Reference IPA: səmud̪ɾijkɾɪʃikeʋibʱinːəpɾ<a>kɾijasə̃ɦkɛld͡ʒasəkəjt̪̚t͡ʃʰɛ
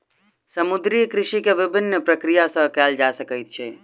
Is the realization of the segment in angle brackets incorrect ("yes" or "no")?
yes